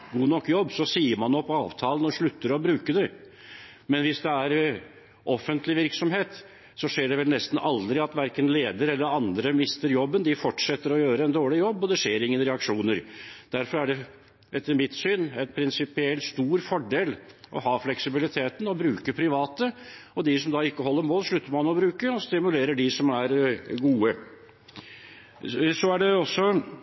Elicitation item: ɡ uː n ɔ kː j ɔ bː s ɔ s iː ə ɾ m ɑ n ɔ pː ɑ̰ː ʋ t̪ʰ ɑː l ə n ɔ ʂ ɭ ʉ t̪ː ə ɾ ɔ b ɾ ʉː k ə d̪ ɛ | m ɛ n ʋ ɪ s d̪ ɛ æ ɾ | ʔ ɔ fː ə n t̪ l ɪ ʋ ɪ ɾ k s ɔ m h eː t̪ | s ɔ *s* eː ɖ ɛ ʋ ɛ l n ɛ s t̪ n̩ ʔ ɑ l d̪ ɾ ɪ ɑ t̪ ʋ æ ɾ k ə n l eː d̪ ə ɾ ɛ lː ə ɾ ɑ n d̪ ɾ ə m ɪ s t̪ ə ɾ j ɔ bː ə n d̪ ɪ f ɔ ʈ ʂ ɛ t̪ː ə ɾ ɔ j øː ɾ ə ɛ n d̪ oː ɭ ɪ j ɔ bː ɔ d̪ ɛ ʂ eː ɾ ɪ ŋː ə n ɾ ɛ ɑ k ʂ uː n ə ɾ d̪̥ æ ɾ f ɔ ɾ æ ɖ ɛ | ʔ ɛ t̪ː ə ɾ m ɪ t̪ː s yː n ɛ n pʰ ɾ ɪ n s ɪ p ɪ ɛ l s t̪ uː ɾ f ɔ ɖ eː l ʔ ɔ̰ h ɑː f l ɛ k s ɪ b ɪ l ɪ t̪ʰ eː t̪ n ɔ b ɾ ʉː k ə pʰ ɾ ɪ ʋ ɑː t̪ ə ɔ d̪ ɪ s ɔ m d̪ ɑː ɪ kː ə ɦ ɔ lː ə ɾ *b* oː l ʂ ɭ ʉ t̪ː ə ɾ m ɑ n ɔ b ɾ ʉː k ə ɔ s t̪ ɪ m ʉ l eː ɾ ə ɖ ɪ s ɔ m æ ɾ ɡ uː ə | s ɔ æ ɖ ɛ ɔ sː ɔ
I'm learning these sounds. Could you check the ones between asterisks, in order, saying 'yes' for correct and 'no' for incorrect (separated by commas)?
no, no